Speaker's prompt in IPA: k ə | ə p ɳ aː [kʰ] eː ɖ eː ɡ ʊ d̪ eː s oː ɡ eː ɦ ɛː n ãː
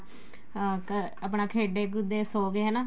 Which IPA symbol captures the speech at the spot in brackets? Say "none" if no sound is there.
kʰ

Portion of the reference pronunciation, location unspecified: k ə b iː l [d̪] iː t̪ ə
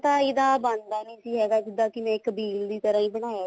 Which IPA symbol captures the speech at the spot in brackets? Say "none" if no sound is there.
d̪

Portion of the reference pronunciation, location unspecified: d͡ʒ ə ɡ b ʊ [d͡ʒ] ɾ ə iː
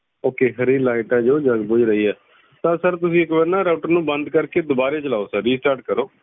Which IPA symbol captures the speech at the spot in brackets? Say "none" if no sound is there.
d͡ʒ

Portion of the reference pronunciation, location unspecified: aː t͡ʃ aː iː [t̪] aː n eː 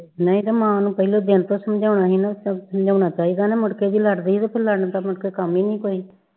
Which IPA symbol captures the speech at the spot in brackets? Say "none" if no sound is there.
d̪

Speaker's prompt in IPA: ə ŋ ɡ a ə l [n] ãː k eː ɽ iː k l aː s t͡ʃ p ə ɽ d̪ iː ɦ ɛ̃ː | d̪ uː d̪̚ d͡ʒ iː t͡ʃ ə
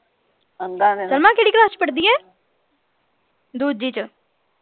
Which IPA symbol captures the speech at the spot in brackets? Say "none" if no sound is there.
m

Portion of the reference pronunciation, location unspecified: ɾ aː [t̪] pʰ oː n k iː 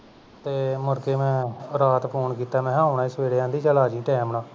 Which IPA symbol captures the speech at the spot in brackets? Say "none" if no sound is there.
t̪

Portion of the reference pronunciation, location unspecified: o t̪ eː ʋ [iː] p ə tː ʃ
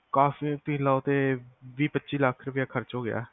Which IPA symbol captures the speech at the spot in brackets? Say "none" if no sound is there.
iː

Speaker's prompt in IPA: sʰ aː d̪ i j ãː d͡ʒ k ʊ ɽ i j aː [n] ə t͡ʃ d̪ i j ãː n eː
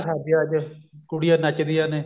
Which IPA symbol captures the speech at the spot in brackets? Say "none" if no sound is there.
n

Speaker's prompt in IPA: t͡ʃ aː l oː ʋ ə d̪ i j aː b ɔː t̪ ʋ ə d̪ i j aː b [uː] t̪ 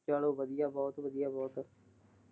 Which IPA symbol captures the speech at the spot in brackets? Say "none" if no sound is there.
ɔː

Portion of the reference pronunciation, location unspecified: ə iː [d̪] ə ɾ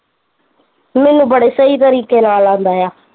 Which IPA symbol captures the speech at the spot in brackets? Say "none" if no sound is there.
t̪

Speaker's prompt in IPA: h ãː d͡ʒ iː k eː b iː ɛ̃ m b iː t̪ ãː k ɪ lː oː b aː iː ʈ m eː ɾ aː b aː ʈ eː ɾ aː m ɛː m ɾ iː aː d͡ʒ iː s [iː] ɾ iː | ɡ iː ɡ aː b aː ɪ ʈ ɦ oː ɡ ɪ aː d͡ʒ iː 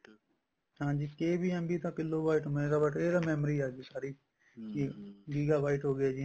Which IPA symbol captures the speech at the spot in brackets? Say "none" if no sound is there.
aː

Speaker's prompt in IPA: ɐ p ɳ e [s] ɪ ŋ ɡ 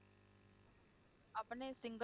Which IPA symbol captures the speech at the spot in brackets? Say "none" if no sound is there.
s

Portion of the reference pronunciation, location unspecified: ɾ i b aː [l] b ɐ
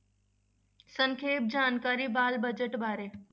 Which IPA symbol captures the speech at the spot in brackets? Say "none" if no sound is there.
l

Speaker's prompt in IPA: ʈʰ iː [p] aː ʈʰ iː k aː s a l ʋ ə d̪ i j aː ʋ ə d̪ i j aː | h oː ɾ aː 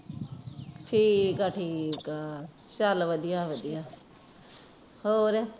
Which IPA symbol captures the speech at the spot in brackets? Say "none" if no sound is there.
k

